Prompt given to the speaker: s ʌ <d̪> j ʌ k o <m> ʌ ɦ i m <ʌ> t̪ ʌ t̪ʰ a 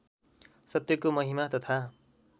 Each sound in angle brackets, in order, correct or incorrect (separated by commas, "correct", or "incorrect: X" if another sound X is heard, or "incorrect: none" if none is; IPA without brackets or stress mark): incorrect: t̪, correct, incorrect: a